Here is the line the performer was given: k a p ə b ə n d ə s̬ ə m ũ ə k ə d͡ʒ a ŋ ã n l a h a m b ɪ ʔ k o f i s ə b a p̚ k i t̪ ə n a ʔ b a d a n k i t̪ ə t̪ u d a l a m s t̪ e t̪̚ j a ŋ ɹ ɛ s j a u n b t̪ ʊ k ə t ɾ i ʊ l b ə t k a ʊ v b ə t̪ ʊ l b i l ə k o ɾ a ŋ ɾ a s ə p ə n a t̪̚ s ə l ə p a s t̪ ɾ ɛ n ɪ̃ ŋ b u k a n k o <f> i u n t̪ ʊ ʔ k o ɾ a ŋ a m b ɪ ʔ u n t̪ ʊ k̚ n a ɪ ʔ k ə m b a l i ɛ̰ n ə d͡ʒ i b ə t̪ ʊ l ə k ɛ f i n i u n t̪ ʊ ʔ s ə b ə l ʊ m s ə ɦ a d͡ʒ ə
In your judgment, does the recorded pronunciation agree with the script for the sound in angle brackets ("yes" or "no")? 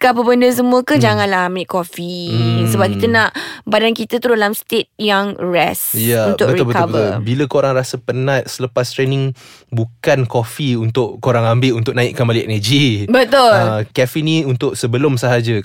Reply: yes